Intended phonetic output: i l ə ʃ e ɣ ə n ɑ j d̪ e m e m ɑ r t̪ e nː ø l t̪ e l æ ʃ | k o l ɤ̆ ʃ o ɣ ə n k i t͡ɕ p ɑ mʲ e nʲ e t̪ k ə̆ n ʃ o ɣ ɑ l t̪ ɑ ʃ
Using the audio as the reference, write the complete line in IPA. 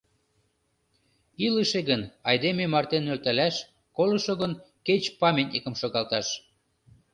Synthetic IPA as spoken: i l ə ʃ e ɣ ə n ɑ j d̪ e m e m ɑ r t̪ e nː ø l t̪ æ l æ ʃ | k o l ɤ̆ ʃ o ɣ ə n k e t͡ɕ p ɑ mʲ e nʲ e k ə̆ m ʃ o ɣ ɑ l t̪ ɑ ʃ